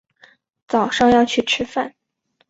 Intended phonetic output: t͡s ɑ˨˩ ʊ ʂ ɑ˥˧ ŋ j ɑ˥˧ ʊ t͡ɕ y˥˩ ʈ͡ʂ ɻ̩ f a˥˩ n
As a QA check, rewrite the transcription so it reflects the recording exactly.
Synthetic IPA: t͡s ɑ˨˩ ʊ ʂ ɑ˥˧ ŋ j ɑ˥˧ ʊ t͡ɕʰ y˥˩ ʈ͡ʂʰ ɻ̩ f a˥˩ n